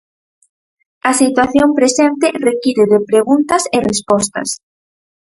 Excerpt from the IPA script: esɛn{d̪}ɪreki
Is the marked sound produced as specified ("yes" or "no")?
no